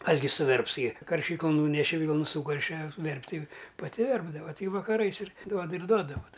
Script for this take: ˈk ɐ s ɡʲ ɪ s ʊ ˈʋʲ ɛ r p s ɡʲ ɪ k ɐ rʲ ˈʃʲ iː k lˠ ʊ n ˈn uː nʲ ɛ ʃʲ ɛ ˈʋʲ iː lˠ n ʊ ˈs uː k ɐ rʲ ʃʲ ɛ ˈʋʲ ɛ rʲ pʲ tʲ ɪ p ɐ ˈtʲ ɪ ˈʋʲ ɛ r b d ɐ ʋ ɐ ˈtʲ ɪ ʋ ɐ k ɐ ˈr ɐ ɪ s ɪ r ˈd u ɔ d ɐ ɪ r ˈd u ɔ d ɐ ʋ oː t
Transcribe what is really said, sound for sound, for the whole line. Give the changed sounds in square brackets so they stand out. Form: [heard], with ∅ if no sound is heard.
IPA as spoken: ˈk ɐ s ɡʲ ɪ s ʊ ˈʋʲ ɛ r p s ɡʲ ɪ k ɐ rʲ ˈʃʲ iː k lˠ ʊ n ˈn uː nʲ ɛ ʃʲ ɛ ˈʋʲ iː lˠ n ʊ ˈs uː k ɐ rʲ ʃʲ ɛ ˈʋʲ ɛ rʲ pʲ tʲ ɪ p ɐ ˈtʲ ɪ ˈʋʲ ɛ r b d ɐ ʋ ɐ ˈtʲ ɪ ʋ ɐ k ɐ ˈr ɐ ɪ s ɪ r ˈd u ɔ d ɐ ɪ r ˈd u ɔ d ɐ ʋ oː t